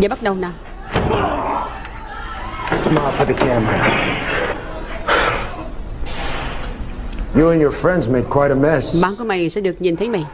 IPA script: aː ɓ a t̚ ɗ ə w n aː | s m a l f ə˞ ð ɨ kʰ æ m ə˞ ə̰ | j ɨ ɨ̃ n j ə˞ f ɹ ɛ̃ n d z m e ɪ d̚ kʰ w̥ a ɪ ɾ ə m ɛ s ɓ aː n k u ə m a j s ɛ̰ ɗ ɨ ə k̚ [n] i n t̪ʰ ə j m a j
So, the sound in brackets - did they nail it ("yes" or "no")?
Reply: no